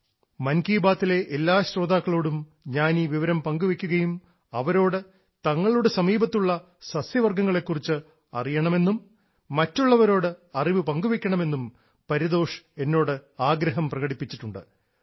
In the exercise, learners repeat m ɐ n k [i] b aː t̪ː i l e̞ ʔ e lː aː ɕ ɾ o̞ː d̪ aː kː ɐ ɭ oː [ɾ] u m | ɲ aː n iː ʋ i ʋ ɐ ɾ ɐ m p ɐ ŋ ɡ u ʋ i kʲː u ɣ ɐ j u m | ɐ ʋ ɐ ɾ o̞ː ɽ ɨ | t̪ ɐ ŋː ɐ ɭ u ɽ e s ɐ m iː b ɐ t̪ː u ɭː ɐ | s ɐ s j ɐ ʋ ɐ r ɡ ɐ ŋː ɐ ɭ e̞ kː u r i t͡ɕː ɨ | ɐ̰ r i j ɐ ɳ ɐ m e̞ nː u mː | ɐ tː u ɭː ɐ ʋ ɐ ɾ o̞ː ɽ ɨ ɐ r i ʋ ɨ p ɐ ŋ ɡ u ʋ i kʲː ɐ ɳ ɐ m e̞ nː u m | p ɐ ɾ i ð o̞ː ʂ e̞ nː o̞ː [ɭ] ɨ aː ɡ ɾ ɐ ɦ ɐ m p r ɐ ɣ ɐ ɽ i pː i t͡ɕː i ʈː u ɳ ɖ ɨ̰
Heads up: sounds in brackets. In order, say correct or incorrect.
incorrect: iː, incorrect: ɽ, incorrect: ɽ

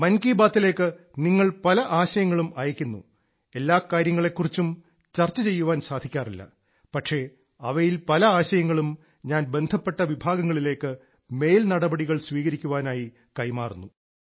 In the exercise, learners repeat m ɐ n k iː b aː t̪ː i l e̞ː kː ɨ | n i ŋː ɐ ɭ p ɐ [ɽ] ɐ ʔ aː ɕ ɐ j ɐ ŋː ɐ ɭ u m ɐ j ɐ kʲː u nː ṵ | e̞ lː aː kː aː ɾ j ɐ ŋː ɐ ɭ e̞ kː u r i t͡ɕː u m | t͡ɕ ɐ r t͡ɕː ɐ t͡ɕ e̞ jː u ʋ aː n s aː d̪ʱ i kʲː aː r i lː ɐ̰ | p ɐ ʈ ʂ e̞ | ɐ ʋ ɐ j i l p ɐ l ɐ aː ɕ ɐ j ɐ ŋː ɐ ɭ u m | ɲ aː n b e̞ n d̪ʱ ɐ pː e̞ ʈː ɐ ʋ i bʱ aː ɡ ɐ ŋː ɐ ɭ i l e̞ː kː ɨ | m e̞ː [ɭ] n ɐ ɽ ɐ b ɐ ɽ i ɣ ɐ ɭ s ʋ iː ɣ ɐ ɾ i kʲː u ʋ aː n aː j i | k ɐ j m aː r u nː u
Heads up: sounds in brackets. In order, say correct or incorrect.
incorrect: l, incorrect: l

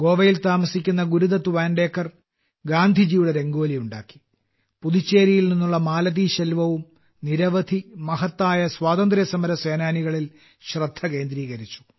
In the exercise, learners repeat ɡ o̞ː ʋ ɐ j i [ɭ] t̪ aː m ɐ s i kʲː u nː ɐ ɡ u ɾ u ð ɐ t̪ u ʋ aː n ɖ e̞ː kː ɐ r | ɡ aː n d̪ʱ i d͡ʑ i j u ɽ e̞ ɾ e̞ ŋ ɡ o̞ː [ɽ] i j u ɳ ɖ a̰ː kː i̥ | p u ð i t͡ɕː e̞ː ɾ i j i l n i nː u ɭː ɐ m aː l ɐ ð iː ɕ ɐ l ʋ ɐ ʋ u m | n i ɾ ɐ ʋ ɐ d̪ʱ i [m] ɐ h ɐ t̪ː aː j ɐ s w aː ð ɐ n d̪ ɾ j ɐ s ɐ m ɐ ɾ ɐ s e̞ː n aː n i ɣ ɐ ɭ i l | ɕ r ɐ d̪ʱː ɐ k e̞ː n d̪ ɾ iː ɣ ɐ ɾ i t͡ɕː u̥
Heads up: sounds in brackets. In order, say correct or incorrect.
incorrect: l, incorrect: l, correct

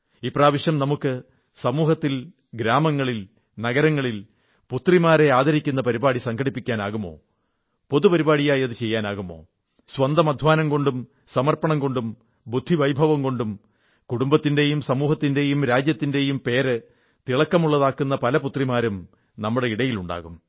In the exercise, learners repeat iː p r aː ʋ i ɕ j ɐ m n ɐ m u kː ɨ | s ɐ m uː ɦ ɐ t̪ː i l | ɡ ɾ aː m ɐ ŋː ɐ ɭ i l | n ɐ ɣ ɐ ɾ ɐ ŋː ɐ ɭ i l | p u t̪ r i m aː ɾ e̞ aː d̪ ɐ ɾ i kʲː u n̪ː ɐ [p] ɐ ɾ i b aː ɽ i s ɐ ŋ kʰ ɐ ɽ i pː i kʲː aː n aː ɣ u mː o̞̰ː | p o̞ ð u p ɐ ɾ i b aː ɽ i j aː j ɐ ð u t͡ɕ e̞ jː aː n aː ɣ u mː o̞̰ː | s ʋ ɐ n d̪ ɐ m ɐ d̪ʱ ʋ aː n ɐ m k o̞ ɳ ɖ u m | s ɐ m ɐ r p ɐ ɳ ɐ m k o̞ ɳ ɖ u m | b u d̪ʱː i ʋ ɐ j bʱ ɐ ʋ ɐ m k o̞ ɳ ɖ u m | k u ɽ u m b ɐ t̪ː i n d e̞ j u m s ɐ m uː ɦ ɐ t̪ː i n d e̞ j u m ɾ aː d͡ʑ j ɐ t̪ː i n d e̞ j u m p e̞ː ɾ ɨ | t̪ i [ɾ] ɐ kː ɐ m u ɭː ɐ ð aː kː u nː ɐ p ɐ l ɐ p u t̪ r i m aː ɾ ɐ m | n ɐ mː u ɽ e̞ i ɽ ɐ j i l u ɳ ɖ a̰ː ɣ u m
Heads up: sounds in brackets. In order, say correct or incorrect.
correct, incorrect: ɭ

